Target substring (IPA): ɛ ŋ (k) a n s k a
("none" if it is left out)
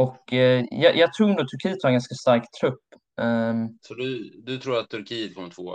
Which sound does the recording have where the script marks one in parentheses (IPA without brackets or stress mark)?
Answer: ɡ